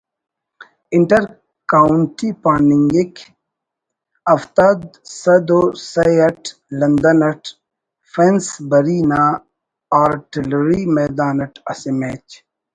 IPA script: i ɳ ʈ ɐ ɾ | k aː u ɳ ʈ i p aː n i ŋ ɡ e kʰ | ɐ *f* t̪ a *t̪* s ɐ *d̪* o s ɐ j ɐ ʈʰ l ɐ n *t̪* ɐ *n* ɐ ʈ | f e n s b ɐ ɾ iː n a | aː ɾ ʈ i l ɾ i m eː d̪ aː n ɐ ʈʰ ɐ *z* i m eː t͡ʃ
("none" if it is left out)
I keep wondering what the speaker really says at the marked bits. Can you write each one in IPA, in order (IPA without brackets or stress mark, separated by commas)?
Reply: f, d̪, d̪, d̪, n, s